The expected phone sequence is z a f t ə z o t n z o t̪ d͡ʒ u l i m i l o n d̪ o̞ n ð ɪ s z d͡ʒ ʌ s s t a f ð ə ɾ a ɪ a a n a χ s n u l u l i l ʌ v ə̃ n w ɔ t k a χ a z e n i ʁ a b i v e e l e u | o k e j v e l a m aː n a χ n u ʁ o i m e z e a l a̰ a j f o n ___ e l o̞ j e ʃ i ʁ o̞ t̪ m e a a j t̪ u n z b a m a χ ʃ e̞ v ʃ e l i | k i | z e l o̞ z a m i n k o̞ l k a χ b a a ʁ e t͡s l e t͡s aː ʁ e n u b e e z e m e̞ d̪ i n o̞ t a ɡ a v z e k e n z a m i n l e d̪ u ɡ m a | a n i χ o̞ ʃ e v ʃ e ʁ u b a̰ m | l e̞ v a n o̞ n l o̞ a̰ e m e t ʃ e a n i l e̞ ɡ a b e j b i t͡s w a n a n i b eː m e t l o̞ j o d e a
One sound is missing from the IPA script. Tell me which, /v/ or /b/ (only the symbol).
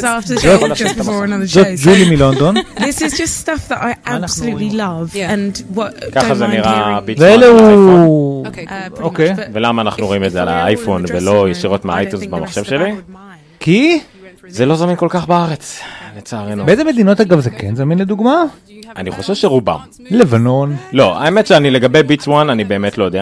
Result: v